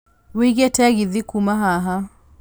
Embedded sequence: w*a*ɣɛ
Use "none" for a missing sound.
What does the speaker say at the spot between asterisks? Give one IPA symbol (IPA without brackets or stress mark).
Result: i